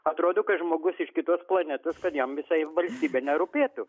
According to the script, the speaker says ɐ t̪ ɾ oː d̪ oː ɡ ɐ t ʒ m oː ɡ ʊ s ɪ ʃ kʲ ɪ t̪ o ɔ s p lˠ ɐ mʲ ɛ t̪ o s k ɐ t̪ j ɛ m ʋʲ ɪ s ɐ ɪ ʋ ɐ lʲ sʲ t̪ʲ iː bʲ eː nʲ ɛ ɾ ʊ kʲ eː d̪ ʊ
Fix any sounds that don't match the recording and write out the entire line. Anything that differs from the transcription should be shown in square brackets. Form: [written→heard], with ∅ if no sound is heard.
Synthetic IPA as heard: ɐ t̪ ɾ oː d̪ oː [ɡ→k] ɐ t ʒ m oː ɡ ʊ s ɪ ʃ kʲ ɪ t̪ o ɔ s p lˠ ɐ [mʲ→nʲ] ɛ t̪ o s k ɐ t̪ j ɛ m ʋʲ ɪ s ɐ ɪ ʋ ɐ lʲ sʲ t̪ʲ iː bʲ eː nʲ ɛ ɾ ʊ [kʲ→pʲ] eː [d̪→t̪] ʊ

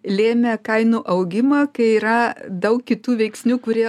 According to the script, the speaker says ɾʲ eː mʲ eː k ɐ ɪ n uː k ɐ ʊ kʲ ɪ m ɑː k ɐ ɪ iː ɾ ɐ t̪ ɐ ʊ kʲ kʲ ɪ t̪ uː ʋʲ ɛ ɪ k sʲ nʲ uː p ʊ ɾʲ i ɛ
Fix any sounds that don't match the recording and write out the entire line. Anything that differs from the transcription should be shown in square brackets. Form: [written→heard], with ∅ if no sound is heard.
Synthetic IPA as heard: [ɾʲ→lʲ] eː mʲ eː k ɐ ɪ n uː [k→ʔ] ɐ ʊ [kʲ→ɡʲ] ɪ m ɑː k ɐ ɪ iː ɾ ɐ [t̪→d̪] ɐ ʊ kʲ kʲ ɪ t̪ uː ʋʲ ɛ ɪ k sʲ nʲ uː [p→k] ʊ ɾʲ i ɛ

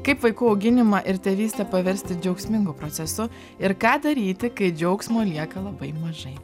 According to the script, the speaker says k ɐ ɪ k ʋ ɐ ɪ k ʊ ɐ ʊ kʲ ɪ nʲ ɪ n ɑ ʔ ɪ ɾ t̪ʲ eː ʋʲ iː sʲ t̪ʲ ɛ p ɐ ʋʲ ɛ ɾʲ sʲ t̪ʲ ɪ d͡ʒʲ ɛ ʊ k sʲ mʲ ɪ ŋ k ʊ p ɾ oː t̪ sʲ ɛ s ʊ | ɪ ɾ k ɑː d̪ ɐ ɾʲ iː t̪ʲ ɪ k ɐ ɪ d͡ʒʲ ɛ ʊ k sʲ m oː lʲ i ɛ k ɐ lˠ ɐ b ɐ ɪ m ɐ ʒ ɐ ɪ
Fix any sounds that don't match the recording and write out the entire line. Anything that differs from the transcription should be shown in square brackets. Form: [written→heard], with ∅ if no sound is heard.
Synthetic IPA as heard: k ɐ ɪ [k→p] ʋ ɐ ɪ k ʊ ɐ ʊ [kʲ→ɡʲ] ɪ nʲ ɪ [n→m] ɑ ʔ ɪ ɾ t̪ʲ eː ʋʲ iː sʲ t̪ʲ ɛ p ɐ ʋʲ ɛ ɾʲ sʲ t̪ʲ ɪ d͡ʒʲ ɛ ʊ k sʲ mʲ ɪ ŋ [k→ɡ] ʊ p ɾ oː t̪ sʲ ɛ s ʊ | ɪ ɾ k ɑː d̪ ɐ ɾʲ iː t̪ʲ ɪ k ɐ ɪ d͡ʒʲ ɛ ʊ k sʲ m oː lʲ i ɛ k ɐ lˠ ɐ b ɐ ɪ m ɐ ʒ ɐ ɪ

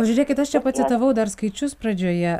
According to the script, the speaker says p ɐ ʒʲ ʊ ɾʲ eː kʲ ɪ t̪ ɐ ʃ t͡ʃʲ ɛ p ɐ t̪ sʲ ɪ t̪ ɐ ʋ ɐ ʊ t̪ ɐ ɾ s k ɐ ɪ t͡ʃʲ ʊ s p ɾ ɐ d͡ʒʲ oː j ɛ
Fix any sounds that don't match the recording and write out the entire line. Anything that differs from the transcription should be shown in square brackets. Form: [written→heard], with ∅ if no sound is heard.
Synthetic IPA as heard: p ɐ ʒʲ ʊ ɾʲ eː kʲ ɪ t̪ ɐ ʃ t͡ʃʲ ɛ p ɐ t̪ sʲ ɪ t̪ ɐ ʋ ɐ ʊ [t̪→d̪] ɐ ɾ s k ɐ ɪ t͡ʃʲ ʊ s p ɾ ɐ d͡ʒʲ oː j ɛ

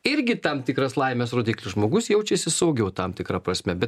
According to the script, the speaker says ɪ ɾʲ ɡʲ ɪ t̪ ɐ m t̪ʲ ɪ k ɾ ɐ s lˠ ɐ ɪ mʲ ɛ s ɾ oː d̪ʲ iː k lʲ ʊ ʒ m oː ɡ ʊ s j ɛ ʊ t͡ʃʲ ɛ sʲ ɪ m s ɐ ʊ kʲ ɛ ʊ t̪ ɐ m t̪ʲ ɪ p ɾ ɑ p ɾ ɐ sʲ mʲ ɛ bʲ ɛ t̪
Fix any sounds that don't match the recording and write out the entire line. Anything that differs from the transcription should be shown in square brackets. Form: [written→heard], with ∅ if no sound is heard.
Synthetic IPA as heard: ɪ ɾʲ ɡʲ ɪ t̪ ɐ m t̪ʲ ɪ k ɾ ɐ s lˠ ɐ ɪ mʲ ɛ s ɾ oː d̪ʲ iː k lʲ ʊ ʒ m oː ɡ ʊ s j ɛ ʊ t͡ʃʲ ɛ sʲ ɪ [m→∅] s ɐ ʊ [kʲ→ɡʲ] ɛ ʊ t̪ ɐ m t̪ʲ ɪ [p→k] ɾ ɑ p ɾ ɐ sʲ mʲ ɛ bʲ ɛ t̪

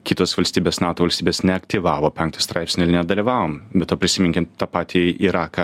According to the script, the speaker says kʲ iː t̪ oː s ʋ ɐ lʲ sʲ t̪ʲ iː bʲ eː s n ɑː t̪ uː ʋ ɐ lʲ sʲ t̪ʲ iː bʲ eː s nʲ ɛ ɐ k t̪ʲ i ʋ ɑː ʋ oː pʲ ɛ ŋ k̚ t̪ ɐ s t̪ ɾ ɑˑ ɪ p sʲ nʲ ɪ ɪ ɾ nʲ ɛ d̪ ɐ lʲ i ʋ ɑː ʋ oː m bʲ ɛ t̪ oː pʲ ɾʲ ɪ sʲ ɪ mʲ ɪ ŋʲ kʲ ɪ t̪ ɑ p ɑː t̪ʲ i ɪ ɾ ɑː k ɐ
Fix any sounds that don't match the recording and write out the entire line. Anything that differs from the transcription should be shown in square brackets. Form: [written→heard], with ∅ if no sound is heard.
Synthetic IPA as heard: kʲ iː t̪ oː s ʋ ɐ lʲ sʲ t̪ʲ iː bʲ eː s n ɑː t̪ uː ʋ ɐ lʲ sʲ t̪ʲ iː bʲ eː s nʲ ɛ ɐ k t̪ʲ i ʋ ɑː ʋ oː pʲ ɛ ŋ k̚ t̪ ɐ s t̪ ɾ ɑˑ ɪ p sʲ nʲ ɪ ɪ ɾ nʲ ɛ d̪ ɐ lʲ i ʋ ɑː ʋ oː m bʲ ɛ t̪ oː pʲ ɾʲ ɪ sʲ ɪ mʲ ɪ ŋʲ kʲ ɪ t̪ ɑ p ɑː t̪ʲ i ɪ ɾ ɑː k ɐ

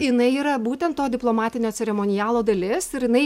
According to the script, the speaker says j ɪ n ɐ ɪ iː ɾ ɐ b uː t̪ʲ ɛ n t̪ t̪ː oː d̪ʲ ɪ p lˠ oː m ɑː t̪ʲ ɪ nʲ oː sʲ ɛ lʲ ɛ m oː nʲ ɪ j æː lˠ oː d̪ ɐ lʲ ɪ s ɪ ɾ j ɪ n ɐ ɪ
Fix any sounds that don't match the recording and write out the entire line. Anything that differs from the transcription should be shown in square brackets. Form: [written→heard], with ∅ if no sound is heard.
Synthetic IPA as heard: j ɪ n ɐ ɪ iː ɾ ɐ b uː t̪ʲ ɛ n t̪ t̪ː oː d̪ʲ ɪ p lˠ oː m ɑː t̪ʲ ɪ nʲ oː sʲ ɛ [lʲ→ɾʲ] ɛ m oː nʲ ɪ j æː lˠ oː d̪ ɐ lʲ ɪ s ɪ ɾ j ɪ n ɐ ɪ

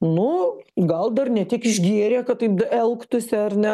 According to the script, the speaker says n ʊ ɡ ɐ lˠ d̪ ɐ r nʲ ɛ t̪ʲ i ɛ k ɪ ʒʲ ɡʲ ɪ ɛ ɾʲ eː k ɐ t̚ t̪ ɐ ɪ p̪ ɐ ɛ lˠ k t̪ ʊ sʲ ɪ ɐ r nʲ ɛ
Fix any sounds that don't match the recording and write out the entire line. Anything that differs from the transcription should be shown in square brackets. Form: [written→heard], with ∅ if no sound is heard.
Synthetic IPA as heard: n ʊ ɡ ɐ lˠ d̪ ɐ r nʲ ɛ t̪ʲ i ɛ k ɪ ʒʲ ɡʲ [ɪ→i] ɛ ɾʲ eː k ɐ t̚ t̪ ɐ ɪ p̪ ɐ ɛ lˠ k t̪ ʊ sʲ ɪ ɐ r nʲ ɛ

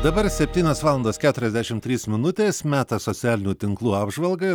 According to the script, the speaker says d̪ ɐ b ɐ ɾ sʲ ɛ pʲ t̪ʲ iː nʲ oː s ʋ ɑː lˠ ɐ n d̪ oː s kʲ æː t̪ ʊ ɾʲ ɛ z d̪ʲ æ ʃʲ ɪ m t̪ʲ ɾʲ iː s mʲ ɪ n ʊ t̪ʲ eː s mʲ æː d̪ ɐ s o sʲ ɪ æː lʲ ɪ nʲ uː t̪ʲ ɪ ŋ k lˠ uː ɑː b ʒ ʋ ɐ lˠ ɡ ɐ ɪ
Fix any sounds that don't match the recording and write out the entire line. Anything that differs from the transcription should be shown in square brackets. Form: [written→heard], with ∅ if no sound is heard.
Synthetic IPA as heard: d̪ ɐ b ɐ ɾ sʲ ɛ pʲ t̪ʲ iː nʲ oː s ʋ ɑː lˠ ɐ n d̪ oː s kʲ æː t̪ ʊ ɾʲ ɛ z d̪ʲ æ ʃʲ ɪ m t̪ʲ ɾʲ iː s mʲ ɪ n ʊ t̪ʲ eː s mʲ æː [d̪→t̪] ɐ s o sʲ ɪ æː lʲ ɪ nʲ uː t̪ʲ ɪ ŋ k lˠ uː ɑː b ʒ ʋ ɐ lˠ ɡ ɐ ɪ

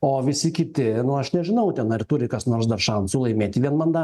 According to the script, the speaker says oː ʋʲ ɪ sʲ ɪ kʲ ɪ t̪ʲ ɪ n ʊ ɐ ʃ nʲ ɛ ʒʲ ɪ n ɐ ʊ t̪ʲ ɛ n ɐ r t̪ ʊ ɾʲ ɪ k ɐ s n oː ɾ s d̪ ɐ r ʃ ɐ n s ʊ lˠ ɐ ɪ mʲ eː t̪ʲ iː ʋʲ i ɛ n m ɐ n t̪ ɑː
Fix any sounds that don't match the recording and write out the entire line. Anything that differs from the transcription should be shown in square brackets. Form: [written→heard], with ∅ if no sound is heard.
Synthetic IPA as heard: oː ʋʲ ɪ sʲ ɪ kʲ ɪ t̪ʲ ɪ n ʊ ɐ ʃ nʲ ɛ ʒʲ ɪ n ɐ ʊ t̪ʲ ɛ n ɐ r t̪ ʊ ɾʲ ɪ k ɐ s n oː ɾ s d̪ ɐ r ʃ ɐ n s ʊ lˠ ɐ ɪ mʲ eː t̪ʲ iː ʋʲ i ɛ n m ɐ n [t̪→d̪] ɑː

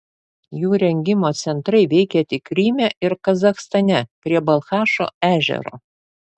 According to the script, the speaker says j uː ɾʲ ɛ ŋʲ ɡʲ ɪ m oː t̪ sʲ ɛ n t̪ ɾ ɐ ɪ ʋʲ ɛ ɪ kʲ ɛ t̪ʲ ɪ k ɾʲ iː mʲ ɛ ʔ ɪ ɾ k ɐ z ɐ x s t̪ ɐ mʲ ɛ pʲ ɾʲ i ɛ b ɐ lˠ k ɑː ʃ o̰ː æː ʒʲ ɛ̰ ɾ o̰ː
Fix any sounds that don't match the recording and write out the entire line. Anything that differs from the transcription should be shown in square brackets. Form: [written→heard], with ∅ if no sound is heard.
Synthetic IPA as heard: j uː ɾʲ ɛ ŋʲ ɡʲ ɪ m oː t̪ sʲ ɛ n t̪ ɾ ɐ ɪ ʋʲ ɛ ɪ kʲ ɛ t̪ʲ ɪ k ɾʲ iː mʲ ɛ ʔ ɪ ɾ k ɐ z ɐ x s t̪ ɐ [mʲ→nʲ] ɛ pʲ ɾʲ i ɛ b ɐ lˠ [k→x] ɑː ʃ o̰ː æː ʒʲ ɛ̰ ɾ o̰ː

